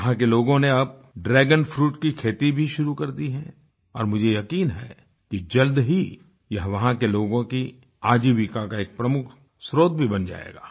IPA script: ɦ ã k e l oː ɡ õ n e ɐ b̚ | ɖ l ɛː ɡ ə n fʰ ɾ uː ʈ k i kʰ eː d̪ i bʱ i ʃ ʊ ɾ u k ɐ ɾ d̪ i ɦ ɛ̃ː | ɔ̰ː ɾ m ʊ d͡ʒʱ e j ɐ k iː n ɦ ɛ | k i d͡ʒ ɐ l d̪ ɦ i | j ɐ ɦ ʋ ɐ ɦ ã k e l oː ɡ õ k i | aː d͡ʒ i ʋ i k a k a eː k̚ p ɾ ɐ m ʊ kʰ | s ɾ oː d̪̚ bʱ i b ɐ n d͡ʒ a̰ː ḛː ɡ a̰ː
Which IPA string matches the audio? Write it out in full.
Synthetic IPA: ɦ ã k e l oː ɡ õ n e ɐ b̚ | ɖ ɾ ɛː ɡ ə n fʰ ɾ uː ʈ k i kʰ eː t̪ i bʱ i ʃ ʊ ɾ u k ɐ ɾ d̪ i ɦ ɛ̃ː | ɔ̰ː ɾ m ʊ d͡ʒʱ e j ɐ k iː n ɦ ɛ | k i d͡ʒ ɐ l d̪ ɦ i | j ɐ ɦ ʋ ɐ ɦ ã k e l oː ɡ õ k i | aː d͡ʒ i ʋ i k a k a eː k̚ p ɾ ɐ m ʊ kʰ | s ɾ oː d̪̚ bʱ i b ɐ n d͡ʒ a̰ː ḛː ɡ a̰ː